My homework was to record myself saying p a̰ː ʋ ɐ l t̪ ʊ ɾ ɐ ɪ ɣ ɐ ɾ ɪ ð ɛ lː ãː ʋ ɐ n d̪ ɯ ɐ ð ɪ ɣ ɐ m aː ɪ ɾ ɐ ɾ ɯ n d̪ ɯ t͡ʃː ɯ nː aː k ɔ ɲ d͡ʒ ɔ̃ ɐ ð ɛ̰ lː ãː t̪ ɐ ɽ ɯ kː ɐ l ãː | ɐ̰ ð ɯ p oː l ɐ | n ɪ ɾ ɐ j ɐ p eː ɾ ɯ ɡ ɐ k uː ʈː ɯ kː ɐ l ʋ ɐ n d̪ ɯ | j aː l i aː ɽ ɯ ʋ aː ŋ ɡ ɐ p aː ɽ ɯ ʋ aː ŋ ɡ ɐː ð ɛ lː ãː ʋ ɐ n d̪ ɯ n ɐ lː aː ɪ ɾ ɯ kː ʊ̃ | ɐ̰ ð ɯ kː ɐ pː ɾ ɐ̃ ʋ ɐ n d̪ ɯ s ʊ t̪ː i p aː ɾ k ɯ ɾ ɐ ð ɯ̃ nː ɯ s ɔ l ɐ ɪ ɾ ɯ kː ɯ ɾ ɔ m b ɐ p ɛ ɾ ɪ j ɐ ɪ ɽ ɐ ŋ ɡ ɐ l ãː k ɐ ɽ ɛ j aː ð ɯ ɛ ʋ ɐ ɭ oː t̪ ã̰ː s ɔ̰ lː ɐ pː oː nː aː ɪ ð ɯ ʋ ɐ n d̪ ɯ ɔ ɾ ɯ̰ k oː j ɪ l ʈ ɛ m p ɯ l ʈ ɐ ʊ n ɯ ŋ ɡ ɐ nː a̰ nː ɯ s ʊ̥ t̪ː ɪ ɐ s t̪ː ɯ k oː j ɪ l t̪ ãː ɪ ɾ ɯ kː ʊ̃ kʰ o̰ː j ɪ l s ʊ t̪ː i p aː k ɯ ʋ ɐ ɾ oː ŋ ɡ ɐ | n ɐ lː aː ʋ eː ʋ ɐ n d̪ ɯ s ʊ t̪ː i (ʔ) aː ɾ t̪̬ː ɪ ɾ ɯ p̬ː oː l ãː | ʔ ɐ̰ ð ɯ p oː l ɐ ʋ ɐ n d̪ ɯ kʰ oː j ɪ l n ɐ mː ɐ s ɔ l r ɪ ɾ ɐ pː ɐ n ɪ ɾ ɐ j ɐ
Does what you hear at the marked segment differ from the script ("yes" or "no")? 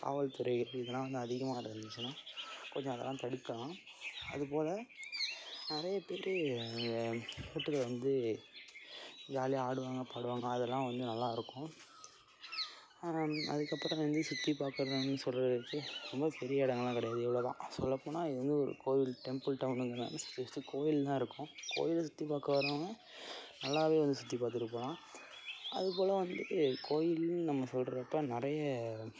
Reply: yes